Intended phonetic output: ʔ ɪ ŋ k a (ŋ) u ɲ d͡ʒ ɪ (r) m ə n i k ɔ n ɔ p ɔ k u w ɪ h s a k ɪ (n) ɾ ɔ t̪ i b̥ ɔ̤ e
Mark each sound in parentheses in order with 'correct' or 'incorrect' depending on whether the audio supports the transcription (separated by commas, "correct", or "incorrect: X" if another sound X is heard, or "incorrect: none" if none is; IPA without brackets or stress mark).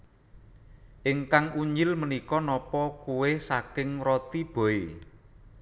correct, incorrect: l, incorrect: ŋ